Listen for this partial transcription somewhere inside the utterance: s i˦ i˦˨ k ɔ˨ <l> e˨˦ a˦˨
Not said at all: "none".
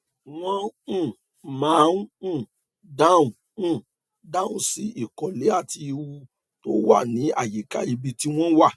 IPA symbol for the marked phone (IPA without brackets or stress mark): l